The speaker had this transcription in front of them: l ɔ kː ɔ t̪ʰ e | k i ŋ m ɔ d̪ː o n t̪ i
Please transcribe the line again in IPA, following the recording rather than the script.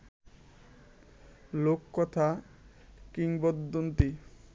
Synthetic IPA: l o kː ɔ t̪ʰ a | k i ŋ b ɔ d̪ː o n t̪ i

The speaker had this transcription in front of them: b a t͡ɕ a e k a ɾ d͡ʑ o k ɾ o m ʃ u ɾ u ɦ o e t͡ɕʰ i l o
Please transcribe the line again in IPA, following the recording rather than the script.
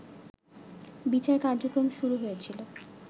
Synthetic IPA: b i t͡ɕ a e k a ɾ d͡ʑ o k ɾ o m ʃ u ɾ u ɦ o e t͡ɕʰ i l o

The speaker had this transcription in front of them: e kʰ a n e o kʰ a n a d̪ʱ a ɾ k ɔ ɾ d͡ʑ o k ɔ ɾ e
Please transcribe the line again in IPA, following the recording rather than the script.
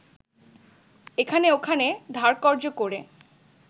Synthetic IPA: e kʰ a n e o kʰ a n e d̪ʱ a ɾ k ɔ ɾ d͡ʑ o k o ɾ e

